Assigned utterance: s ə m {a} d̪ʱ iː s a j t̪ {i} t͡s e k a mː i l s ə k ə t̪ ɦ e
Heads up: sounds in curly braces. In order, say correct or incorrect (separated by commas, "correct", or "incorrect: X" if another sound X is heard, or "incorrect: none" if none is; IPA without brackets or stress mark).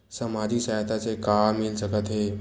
correct, incorrect: a